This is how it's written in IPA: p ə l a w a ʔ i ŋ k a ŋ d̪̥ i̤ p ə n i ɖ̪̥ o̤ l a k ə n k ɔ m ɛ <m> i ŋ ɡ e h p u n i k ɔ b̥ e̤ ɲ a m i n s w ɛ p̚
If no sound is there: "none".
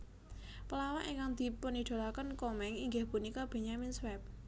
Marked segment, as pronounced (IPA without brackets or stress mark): ŋ